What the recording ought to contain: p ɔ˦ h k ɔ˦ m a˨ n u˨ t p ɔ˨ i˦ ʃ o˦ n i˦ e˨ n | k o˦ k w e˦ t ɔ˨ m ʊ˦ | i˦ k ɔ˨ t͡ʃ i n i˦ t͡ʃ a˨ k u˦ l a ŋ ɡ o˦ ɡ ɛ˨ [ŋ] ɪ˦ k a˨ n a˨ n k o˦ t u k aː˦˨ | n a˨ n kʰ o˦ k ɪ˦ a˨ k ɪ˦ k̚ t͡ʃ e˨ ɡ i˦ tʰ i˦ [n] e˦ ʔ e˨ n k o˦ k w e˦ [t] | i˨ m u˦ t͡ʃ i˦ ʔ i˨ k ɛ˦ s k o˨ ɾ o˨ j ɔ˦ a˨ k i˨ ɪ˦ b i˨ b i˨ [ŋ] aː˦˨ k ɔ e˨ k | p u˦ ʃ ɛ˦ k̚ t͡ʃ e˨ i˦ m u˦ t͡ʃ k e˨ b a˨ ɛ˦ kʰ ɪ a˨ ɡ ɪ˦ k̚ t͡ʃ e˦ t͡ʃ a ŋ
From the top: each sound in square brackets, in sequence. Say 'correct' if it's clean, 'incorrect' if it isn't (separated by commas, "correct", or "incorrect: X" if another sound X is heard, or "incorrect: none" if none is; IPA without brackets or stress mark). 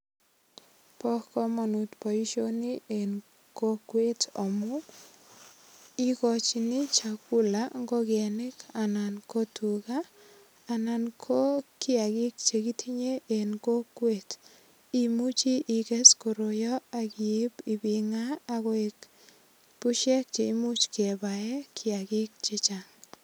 incorrect: n, incorrect: ɲ, correct, correct